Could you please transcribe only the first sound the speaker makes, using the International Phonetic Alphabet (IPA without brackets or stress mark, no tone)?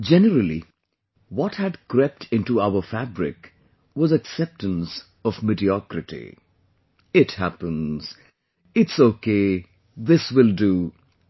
d͡ʒ